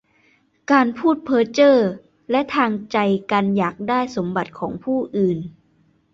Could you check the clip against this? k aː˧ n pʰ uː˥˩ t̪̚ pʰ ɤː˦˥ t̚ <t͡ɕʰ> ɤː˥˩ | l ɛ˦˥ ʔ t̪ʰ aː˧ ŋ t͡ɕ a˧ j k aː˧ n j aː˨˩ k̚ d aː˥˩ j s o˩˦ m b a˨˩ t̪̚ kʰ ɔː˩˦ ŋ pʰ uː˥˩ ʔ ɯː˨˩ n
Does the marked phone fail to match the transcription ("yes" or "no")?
yes